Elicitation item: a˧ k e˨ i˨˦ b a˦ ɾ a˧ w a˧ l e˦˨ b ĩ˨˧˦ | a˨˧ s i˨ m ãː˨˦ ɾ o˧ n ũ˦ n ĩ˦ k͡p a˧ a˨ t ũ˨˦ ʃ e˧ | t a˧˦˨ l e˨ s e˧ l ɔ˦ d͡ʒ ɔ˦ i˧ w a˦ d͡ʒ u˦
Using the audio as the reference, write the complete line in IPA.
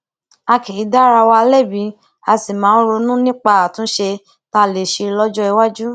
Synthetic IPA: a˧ k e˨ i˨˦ d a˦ ɾ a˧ w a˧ l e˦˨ b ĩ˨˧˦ | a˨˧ s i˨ m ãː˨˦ ɾ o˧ n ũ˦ n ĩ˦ k͡p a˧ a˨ t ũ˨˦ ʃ e˧ | t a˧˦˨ l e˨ ʃ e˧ l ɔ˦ d͡ʒ ɔ˦ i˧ w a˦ d͡ʒ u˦